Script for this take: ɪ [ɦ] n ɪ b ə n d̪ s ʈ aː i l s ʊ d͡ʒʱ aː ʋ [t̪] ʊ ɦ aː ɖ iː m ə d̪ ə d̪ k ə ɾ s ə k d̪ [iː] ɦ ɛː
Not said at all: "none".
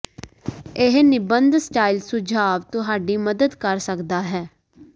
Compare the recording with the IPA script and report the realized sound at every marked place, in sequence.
ɦ, t̪, aː

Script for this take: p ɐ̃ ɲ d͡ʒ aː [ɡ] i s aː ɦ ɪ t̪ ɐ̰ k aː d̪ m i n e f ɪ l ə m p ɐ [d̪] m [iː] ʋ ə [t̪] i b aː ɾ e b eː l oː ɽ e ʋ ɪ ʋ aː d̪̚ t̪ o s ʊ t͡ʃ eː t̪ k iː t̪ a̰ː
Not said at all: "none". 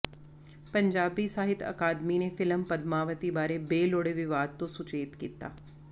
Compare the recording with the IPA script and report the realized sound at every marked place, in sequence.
b, d̪, aː, t̪

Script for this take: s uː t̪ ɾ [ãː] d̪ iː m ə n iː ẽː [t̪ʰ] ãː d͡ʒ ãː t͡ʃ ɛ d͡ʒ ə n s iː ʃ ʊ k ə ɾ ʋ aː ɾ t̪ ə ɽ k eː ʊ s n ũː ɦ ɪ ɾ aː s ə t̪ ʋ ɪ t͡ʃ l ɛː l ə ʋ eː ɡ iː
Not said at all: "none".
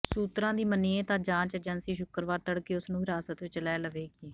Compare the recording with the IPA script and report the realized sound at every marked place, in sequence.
ãː, t̪

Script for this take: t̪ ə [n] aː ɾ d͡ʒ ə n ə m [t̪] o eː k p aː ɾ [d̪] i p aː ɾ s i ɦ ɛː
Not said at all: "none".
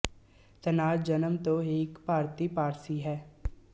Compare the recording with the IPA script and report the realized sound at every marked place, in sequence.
n, t̪, t̪

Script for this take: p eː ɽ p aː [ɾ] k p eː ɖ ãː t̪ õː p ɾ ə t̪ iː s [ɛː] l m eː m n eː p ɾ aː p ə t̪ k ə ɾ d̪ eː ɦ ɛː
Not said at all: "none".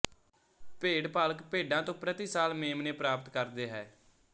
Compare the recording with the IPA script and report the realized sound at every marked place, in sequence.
l, aː

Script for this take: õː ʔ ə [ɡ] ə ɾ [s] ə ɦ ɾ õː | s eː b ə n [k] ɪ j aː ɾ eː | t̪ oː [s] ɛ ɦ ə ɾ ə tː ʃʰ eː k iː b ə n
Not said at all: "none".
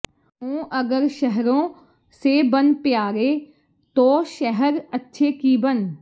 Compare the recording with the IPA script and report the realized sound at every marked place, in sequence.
ɡ, ʃ, p, ʃ

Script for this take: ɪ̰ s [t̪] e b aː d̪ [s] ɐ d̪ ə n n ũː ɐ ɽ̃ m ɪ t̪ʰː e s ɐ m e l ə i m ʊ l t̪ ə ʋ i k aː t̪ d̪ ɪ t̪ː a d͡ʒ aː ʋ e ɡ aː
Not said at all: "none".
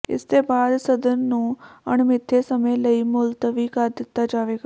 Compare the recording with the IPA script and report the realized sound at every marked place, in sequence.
t̪, s

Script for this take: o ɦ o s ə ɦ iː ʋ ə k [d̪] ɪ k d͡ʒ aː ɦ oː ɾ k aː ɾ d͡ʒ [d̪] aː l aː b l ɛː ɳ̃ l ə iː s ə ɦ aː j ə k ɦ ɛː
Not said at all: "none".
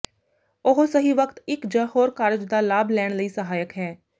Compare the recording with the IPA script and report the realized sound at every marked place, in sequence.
t̪, d̪

